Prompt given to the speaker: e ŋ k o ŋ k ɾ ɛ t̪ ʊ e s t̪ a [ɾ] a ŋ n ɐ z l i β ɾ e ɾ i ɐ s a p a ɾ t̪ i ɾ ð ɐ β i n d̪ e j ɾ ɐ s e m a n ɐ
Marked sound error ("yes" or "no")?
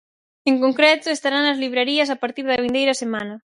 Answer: no